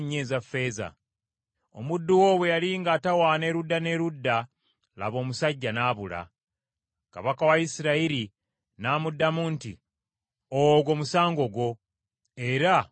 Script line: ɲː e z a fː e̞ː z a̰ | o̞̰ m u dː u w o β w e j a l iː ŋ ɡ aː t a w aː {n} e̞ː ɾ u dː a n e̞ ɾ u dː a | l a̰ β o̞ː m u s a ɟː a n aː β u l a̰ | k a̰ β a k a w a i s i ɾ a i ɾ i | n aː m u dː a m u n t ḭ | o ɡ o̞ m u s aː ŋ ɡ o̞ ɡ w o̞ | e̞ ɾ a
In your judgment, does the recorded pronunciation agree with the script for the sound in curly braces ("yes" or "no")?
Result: yes